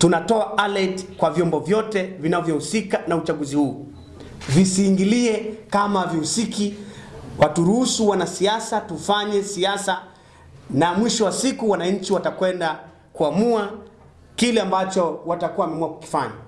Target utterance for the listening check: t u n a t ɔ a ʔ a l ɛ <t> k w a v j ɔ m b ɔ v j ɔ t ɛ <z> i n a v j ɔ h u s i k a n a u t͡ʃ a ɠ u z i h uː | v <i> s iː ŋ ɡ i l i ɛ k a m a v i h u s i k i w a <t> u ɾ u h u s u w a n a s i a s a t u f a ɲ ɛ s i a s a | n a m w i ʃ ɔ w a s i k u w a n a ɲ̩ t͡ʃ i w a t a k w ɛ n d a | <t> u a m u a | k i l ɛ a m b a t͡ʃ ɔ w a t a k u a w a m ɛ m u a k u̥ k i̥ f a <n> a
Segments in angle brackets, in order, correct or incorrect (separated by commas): correct, incorrect, correct, correct, incorrect, incorrect